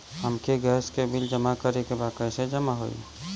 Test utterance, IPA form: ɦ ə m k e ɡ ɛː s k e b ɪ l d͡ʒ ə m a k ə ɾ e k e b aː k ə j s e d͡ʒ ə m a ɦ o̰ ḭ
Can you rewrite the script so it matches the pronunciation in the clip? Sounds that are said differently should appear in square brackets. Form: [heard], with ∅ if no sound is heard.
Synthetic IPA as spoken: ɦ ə m k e ɡ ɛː s k e b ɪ l d͡ʒ ə m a k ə ɾ e k e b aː k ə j s e d͡ʒ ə m a ɦ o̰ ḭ